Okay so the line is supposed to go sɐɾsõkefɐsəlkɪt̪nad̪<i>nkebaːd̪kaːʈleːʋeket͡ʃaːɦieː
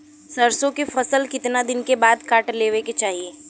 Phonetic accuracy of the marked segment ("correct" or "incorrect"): incorrect